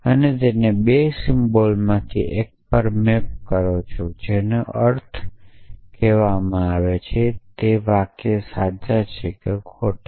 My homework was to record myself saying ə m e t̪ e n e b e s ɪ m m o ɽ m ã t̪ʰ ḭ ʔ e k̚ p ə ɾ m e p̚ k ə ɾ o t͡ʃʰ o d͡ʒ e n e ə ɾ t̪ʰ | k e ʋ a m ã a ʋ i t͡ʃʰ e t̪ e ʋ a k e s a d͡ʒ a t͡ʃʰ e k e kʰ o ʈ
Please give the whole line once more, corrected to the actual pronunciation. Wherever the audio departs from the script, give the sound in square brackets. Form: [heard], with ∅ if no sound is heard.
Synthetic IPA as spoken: ə [n] e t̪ e n e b e s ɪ m [b] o [l] m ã t̪ʰ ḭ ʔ e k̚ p ə ɾ m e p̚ k ə ɾ o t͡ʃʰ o d͡ʒ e n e ə ɾ t̪ʰ | k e ʋ a m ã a ʋ [e] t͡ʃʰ e t̪ e ʋ a k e s a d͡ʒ a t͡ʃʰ e k e kʰ o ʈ